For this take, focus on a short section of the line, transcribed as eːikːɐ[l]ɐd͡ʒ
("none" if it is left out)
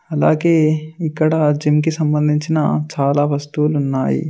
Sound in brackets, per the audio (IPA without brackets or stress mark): ɽ